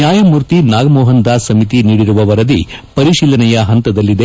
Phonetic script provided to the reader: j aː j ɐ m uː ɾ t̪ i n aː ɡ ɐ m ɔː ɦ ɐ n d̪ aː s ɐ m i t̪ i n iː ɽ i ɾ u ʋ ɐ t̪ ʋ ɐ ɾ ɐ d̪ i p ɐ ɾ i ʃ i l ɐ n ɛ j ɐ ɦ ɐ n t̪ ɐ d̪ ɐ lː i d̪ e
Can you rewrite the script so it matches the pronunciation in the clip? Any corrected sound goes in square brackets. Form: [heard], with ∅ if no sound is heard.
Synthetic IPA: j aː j ɐ m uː ɾ t̪ i n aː ɡ ɐ m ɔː ɦ ɐ n d̪ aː s ɐ m i t̪ i n iː ɽ i ɾ u ʋ ɐ [∅] ʋ ɐ ɾ ɐ d̪ i p ɐ ɾ i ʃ [iː] l ɐ n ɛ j ɐ ɦ ɐ n t̪ ɐ d̪ ɐ lː i d̪ e